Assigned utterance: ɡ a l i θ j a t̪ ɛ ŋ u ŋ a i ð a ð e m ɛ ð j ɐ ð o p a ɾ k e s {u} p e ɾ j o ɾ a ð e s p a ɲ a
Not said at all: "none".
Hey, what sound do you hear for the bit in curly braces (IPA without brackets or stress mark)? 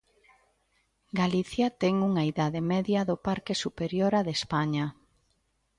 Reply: u